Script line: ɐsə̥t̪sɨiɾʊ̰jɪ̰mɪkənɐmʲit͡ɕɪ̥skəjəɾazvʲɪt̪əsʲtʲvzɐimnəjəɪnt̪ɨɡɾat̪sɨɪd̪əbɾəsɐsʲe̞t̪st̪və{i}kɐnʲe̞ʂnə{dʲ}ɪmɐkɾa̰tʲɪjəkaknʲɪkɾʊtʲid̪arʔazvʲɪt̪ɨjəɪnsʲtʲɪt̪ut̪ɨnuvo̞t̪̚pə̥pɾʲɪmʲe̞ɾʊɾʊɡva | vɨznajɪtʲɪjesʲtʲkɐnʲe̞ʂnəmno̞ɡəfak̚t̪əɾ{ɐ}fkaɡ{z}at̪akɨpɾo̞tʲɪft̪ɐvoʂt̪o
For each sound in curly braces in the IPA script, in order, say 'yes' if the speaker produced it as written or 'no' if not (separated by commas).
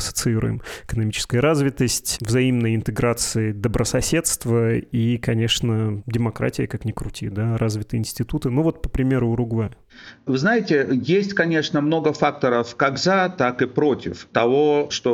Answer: yes, yes, no, yes